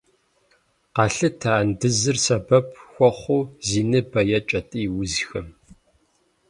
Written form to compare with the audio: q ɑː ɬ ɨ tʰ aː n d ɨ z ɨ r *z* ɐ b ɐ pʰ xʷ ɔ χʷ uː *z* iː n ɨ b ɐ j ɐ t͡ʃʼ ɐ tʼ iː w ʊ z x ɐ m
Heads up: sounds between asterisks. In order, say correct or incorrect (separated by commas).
incorrect, correct